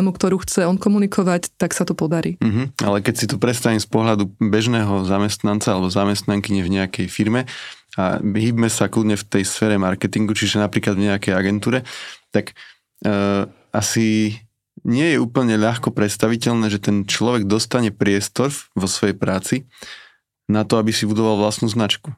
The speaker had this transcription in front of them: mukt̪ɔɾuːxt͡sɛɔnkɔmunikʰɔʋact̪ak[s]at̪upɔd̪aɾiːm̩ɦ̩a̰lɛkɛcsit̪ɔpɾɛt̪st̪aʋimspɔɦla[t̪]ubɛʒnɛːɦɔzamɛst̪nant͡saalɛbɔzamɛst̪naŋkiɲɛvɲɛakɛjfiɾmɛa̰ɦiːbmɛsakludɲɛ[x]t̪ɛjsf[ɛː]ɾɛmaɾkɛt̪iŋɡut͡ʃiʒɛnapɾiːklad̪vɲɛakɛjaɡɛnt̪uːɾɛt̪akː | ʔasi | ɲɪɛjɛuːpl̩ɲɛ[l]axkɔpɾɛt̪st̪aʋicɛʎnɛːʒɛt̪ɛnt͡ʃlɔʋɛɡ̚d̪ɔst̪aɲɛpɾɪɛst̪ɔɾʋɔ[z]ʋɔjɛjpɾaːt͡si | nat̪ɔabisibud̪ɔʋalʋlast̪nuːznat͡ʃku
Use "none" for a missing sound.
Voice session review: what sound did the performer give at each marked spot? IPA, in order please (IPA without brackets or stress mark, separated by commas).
s, d̪, f, ɛː, ʎ, s